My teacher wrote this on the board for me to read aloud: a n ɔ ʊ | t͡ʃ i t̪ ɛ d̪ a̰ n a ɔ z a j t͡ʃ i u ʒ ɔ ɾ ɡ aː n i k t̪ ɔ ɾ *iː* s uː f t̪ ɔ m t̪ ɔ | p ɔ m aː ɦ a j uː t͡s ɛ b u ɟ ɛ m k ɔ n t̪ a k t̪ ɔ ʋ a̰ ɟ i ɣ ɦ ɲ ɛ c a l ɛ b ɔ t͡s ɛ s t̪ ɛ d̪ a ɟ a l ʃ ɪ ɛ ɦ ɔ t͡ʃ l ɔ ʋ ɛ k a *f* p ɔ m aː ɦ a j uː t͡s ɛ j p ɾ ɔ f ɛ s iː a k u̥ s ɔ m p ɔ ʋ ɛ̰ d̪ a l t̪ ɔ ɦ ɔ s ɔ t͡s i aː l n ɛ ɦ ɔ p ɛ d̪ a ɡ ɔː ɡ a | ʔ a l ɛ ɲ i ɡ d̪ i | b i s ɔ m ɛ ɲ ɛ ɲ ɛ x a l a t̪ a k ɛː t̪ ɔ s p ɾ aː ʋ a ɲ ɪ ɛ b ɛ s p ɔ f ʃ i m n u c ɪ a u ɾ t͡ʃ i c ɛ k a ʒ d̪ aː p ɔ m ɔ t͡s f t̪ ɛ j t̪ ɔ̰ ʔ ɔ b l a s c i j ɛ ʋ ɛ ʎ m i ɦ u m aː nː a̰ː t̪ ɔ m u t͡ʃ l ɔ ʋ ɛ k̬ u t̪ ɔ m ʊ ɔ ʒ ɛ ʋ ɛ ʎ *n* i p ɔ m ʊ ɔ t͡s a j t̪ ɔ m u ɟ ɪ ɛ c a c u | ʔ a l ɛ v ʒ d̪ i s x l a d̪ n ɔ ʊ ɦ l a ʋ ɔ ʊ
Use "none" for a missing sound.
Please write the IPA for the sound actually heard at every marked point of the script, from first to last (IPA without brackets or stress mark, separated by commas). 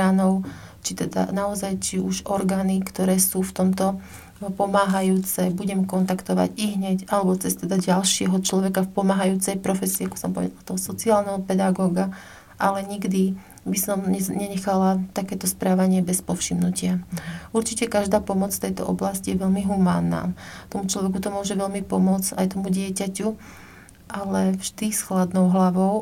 ɛː, f, m